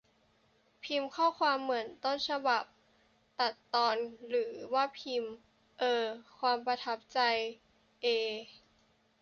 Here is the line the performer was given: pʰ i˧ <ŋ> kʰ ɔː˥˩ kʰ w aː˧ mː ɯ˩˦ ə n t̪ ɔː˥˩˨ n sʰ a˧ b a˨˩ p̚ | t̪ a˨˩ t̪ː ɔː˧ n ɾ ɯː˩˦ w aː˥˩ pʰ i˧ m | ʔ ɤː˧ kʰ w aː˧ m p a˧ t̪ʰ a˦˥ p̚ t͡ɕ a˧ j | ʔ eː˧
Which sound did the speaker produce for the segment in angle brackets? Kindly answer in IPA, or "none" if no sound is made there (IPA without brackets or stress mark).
m